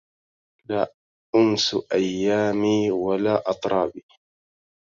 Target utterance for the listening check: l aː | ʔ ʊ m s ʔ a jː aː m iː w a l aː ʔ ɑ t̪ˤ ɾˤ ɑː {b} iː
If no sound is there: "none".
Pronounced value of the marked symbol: b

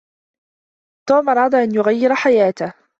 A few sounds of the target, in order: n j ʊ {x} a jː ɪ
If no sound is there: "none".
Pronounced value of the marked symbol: ɣ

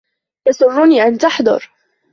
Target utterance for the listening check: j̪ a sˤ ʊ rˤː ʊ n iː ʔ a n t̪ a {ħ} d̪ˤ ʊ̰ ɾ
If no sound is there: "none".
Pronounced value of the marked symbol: ħ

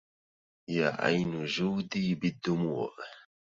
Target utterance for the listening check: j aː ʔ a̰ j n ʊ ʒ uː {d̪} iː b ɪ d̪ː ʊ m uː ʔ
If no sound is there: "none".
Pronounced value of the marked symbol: d̪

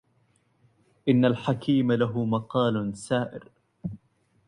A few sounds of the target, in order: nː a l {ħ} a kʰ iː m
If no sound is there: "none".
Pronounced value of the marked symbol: ħ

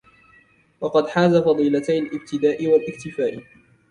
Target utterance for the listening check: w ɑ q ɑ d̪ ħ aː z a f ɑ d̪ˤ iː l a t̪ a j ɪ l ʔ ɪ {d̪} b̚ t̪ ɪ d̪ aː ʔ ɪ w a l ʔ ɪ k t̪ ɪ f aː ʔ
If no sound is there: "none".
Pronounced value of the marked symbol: none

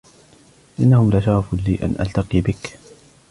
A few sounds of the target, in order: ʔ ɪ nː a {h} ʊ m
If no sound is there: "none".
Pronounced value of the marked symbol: h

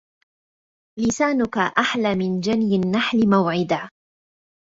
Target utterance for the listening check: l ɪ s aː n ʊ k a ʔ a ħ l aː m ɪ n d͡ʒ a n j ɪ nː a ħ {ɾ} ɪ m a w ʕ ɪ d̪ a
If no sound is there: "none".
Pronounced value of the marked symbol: l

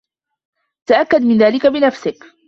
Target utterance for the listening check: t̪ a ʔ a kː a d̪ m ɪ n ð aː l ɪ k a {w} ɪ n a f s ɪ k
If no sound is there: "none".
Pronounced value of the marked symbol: b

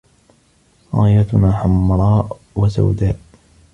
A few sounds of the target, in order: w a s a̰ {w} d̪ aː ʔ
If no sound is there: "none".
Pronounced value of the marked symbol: w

